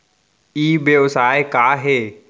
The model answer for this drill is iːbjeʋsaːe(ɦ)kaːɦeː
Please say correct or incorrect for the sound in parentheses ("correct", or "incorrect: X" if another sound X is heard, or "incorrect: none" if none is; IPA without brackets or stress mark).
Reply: incorrect: none